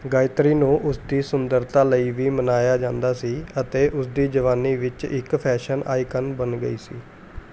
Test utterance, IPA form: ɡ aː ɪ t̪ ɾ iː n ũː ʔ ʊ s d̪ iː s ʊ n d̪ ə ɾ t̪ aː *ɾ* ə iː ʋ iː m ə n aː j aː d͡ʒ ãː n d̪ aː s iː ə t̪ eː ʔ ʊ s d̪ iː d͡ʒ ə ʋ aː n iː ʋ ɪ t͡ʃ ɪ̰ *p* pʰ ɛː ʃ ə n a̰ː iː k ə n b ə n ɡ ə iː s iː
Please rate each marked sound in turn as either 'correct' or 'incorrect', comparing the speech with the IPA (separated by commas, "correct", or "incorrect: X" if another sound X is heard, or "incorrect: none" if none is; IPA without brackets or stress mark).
incorrect: l, incorrect: k